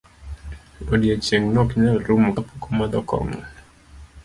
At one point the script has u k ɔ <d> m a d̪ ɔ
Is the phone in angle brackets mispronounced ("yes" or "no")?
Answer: yes